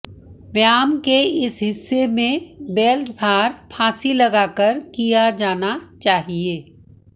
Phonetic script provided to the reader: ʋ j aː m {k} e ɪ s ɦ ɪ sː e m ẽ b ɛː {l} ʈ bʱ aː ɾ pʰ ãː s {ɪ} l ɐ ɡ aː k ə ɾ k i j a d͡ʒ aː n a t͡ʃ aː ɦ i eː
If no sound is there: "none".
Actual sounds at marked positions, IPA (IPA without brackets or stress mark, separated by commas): k, l, i